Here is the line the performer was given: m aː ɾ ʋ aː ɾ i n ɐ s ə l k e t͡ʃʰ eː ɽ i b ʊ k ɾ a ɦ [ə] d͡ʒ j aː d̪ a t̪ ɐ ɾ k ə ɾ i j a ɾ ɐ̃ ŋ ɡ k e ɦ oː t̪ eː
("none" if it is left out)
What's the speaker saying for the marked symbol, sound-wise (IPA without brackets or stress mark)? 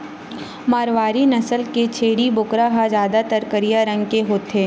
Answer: a